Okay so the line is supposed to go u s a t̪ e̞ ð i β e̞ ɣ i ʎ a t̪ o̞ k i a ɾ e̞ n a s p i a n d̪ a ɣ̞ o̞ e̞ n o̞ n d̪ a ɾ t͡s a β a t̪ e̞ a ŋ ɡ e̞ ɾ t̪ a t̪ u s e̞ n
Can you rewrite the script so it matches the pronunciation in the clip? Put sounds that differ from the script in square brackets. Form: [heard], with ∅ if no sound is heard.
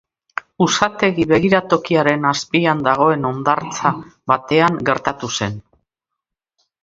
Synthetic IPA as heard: u s a t̪ e̞ [ɣ] i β e̞ ɣ i [ɾ] a t̪ o̞ k i a ɾ e̞ n a s p i a n d̪ a ɣ̞ o̞ e̞ n o̞ n d̪ a ɾ t͡s a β a t̪ e̞ a ŋ ɡ e̞ ɾ t̪ a t̪ u s e̞ n